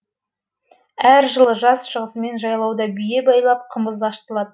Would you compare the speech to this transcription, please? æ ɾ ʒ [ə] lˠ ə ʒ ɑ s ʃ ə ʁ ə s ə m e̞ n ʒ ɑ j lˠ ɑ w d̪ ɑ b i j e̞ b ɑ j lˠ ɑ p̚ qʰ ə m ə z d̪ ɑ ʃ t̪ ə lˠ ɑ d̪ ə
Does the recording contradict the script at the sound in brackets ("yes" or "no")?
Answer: no